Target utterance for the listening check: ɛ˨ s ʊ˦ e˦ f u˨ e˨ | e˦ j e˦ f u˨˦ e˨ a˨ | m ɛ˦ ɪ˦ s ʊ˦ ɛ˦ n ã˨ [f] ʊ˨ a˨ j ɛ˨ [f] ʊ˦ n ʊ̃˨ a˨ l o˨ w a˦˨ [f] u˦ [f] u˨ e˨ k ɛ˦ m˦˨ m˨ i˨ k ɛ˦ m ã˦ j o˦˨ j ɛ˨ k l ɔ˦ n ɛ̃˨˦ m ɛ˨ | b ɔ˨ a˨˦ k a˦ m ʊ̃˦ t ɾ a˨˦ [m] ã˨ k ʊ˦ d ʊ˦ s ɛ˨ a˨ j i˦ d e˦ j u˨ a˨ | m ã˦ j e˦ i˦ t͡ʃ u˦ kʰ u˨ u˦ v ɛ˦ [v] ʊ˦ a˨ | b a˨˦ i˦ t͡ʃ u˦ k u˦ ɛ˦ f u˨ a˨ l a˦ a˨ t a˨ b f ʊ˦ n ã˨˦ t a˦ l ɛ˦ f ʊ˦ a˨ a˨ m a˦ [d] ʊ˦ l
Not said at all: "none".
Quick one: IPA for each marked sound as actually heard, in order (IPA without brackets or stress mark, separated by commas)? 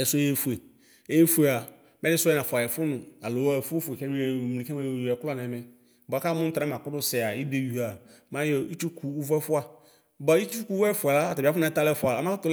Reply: f, f, f, f, m, f, t